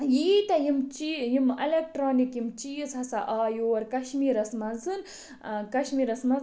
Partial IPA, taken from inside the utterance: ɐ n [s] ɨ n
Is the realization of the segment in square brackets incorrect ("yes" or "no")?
yes